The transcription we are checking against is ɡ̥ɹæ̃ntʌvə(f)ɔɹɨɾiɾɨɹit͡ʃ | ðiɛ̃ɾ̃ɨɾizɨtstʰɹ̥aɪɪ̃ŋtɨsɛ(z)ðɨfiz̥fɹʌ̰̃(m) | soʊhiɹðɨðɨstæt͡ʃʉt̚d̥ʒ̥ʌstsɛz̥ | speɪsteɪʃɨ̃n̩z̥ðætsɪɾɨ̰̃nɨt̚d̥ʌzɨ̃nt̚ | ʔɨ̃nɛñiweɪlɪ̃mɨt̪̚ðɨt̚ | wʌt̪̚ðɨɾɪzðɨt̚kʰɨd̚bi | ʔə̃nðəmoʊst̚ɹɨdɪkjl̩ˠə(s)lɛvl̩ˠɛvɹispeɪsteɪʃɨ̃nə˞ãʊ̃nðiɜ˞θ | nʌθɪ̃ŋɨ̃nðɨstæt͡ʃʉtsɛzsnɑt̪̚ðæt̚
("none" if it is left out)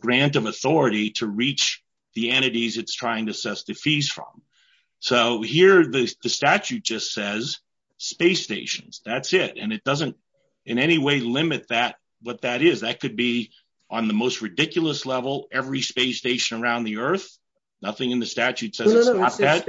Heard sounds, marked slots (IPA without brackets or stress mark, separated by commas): θ, s, m, s